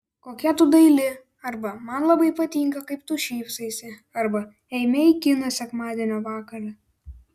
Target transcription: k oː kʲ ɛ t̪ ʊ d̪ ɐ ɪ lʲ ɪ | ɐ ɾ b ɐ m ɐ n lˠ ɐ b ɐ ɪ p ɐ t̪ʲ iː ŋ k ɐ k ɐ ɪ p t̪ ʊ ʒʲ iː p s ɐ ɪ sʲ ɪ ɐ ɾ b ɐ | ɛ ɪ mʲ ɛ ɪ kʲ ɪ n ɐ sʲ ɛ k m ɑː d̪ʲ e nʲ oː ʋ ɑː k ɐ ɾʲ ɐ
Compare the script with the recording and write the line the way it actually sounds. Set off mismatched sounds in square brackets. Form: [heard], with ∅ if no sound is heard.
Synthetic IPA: k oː kʲ ɛ t̪ ʊ d̪ ɐ ɪ lʲ ɪ | ɐ ɾ b ɐ m ɐ n lˠ ɐ b ɐ ɪ p ɐ t̪ʲ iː ŋ k ɐ k ɐ ɪ p t̪ ʊ [ʃʲ] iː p s ɐ ɪ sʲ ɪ ɐ ɾ b ɐ | ɛ ɪ mʲ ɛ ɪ kʲ ɪ n ɐ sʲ ɛ k m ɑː d̪ʲ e nʲ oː ʋ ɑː k ɐ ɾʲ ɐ